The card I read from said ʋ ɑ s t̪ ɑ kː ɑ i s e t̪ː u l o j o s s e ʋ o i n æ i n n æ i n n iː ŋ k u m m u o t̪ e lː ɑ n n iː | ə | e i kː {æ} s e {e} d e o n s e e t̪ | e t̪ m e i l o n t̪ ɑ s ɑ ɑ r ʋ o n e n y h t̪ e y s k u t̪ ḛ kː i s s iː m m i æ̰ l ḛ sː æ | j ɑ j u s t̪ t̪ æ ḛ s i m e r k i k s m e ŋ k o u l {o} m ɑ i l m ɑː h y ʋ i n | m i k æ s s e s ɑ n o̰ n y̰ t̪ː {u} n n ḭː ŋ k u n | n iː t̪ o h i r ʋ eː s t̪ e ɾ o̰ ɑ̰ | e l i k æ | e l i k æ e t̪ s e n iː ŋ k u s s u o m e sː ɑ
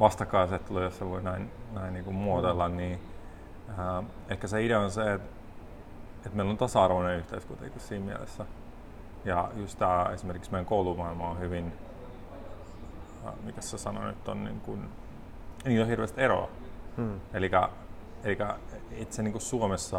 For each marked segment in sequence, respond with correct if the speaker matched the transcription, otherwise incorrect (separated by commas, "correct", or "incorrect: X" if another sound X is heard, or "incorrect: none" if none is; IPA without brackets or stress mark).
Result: correct, incorrect: i, incorrect: u, incorrect: o